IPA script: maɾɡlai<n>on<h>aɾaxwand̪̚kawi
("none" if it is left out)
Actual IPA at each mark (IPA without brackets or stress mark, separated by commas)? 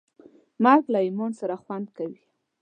m, s